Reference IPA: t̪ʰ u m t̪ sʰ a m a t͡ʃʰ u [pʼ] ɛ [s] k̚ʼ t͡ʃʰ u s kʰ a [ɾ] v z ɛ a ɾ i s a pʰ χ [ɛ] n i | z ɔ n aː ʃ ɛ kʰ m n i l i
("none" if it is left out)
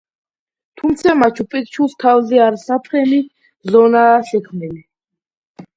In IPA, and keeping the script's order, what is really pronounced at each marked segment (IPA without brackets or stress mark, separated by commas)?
pʼ, none, none, ɛ